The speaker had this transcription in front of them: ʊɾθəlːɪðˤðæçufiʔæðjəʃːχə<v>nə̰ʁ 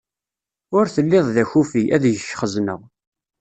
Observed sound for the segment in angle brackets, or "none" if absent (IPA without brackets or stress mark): z